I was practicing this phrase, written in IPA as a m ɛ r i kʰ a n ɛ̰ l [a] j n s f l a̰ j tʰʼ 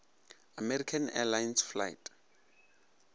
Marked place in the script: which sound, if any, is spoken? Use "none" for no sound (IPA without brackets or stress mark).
a